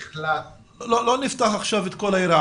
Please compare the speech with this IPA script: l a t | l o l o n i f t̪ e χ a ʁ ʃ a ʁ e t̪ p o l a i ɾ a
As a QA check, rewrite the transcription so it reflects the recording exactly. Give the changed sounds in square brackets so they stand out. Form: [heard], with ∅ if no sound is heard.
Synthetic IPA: l a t | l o l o n i f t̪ [a] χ a [χ] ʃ a [v] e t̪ [k] o l a i ɾ a